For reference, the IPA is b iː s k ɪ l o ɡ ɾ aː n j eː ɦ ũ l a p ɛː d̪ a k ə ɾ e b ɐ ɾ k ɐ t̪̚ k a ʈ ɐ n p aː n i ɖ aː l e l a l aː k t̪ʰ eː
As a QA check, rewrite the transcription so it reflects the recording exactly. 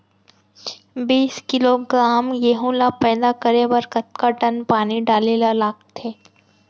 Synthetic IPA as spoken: b iː s k ɪ l o ɡ ɾ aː m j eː ɦ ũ l a p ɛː d̪ a k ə ɾ e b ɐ ɾ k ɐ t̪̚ k a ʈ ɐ n p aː n i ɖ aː l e l a l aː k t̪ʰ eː